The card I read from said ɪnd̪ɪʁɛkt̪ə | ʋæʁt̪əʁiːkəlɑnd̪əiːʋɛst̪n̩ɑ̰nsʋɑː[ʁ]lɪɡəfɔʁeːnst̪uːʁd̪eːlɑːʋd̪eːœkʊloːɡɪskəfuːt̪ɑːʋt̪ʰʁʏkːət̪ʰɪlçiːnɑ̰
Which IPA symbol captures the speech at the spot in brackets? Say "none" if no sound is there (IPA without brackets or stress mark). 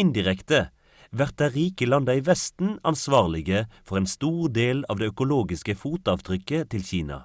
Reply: ʁ